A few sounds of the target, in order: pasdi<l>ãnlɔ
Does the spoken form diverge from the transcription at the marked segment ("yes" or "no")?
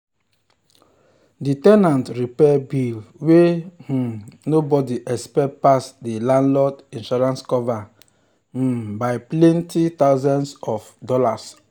no